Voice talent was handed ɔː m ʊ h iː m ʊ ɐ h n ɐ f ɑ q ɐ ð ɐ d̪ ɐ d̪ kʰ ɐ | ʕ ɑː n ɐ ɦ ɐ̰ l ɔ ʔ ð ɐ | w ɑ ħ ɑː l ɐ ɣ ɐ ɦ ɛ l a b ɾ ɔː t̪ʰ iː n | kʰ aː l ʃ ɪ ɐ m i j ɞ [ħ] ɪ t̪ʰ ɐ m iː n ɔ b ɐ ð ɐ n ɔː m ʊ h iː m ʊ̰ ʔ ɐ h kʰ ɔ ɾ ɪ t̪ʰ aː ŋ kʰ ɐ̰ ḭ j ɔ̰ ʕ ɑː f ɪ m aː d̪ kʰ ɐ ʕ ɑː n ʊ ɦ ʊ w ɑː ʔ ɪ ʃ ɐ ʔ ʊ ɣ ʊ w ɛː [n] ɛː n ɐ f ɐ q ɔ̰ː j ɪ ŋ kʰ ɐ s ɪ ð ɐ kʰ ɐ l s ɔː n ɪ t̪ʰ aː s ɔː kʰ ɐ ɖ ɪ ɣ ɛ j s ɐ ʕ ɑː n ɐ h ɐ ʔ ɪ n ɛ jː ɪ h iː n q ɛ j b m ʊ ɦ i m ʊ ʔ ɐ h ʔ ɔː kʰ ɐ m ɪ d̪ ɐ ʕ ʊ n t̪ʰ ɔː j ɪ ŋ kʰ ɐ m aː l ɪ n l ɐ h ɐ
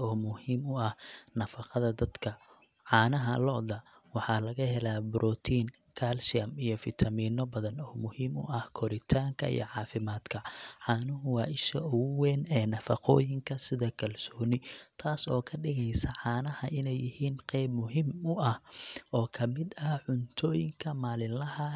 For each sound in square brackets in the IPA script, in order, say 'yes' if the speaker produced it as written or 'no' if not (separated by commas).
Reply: no, yes